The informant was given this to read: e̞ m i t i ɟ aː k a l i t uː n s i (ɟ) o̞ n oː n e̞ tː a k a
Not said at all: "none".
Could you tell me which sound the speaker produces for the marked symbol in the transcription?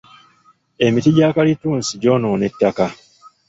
ɟ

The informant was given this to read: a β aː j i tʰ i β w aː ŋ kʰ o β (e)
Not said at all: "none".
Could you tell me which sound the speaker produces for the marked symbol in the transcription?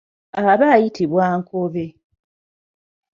e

